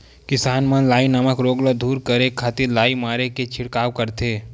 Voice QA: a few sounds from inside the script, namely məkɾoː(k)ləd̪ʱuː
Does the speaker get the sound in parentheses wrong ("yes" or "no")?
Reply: yes